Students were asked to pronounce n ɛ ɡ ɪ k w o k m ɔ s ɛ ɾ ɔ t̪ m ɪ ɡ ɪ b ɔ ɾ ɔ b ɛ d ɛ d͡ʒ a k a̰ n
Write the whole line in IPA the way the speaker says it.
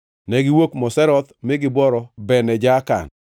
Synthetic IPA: n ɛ ɡ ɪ w o k m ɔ s ɛ ɾ ɔ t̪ m ɪ ɡ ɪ b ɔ ɾ ɔ b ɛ n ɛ d͡ʒ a k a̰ n